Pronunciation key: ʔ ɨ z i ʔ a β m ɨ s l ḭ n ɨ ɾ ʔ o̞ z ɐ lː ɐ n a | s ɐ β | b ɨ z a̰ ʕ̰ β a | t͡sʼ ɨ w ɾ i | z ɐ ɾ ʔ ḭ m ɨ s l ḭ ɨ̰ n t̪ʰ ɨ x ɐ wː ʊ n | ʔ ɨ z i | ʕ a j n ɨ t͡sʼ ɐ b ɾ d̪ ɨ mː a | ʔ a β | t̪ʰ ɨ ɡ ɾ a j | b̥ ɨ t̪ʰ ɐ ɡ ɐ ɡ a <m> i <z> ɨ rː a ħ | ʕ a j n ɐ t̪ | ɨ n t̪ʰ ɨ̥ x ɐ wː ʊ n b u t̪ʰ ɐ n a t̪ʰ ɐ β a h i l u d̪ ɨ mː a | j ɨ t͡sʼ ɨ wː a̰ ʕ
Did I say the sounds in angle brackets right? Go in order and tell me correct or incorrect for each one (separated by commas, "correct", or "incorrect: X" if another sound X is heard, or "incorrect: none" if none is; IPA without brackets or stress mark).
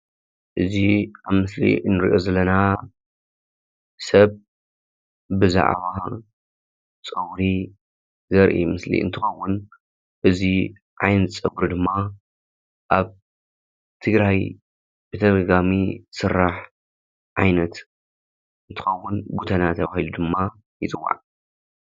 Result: correct, incorrect: s